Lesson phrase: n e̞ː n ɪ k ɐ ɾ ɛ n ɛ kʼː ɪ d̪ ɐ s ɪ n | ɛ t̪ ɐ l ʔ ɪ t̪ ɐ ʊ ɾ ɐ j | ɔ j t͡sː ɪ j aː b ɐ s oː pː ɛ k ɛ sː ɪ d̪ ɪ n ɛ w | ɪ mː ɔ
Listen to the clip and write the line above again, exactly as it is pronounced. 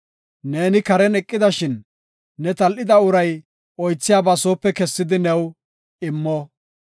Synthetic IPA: n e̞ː n ɪ k ɐ ɾ ɛ n ɛ kʼː ɪ d̪ ɐ ʃ ɪ nː | ɛ t̪ ɐ l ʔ ɪ d̪ ɐ ʊ ɾ ɐ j | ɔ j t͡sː ɪ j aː b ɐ s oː pː ɛ k ɛ sː ɪ d̪ ɪ n ɛ w | ɪ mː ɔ